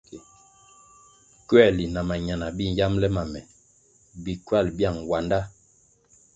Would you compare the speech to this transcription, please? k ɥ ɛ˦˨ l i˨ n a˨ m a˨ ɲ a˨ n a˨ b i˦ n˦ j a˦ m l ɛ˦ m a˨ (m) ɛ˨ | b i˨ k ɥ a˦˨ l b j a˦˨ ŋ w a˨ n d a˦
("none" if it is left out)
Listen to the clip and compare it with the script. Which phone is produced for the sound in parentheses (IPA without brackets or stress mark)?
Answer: m